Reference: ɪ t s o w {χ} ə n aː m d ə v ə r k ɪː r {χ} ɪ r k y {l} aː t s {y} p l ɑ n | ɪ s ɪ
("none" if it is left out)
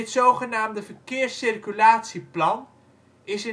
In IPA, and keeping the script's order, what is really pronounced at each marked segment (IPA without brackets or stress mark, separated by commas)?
χ, s, l, i